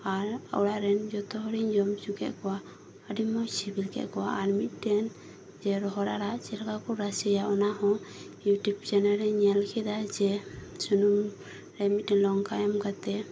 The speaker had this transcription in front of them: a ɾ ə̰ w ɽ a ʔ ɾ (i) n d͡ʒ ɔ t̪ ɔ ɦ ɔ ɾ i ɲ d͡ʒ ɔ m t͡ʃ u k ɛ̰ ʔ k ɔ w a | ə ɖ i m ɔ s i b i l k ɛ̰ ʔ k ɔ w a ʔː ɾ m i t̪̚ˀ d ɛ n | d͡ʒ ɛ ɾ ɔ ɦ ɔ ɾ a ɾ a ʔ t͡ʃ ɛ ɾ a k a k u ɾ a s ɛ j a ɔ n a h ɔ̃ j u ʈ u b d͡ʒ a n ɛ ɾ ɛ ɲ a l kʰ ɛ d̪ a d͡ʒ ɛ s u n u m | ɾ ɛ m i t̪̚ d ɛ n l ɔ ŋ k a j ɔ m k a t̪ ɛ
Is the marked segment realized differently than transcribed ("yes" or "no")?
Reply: yes